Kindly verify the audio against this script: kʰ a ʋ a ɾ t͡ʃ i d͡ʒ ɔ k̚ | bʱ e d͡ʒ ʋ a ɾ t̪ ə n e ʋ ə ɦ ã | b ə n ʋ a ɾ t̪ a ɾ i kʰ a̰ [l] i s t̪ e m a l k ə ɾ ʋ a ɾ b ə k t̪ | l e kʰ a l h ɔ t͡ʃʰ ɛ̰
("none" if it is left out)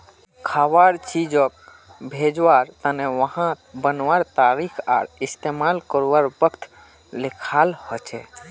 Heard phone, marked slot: ɾ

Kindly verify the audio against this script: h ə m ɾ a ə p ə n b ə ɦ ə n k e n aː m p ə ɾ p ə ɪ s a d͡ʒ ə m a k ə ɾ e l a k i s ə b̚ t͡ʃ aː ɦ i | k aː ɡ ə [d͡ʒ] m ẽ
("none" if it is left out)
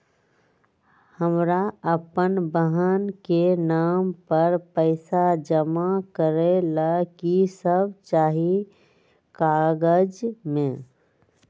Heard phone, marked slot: d͡ʒ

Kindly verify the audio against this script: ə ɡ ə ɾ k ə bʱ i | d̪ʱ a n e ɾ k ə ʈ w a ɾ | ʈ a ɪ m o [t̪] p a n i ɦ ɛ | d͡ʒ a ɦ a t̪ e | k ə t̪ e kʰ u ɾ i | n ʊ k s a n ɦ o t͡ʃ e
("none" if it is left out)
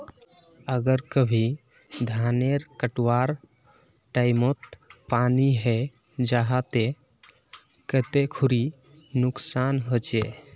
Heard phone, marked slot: t̪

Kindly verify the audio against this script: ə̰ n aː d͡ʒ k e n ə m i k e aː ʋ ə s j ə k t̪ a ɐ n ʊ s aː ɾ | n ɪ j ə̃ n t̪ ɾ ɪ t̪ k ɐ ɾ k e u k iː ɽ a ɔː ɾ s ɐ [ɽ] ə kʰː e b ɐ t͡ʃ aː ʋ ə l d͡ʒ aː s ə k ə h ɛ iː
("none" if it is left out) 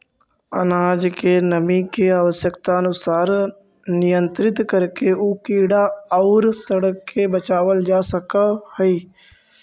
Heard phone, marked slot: ɽ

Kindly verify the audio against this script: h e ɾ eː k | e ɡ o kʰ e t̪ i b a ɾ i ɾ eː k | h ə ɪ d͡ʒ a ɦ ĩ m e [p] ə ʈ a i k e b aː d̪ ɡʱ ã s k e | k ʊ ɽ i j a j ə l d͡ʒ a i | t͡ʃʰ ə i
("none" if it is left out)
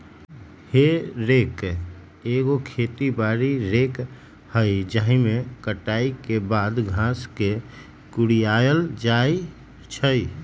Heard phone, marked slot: k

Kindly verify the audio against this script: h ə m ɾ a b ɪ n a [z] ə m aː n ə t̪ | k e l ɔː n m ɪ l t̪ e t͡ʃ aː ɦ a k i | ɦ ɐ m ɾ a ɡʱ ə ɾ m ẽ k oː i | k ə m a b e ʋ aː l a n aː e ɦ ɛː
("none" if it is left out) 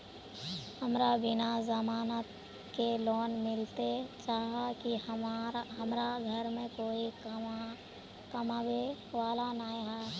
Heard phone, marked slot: z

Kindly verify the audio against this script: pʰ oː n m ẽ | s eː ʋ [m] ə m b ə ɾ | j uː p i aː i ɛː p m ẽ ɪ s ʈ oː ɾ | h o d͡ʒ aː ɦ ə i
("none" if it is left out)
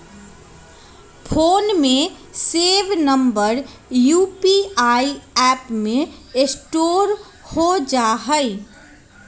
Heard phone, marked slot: n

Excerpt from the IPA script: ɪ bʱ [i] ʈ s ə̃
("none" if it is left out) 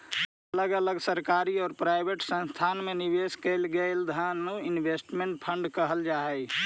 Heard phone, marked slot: e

